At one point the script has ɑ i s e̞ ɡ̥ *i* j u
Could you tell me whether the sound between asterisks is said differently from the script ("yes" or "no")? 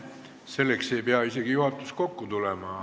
no